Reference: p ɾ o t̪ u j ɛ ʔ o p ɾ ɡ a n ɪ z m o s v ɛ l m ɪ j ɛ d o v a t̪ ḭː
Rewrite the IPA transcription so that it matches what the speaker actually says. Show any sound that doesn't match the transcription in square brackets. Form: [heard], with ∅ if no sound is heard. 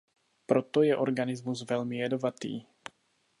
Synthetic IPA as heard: p ɾ o t̪ [o] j ɛ ʔ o [∅] ɾ ɡ a n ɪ z m [u] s v ɛ l m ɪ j ɛ d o v a t̪ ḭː